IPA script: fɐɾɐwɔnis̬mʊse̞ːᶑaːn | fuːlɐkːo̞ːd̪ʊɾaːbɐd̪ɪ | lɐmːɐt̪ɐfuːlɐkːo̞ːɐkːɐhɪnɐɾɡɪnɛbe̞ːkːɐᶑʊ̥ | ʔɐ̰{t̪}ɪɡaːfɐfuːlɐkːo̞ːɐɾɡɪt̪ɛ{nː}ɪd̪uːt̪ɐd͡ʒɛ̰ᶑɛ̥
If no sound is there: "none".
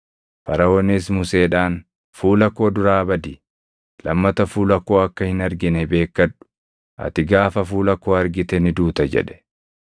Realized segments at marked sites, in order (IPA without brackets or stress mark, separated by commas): t̪, n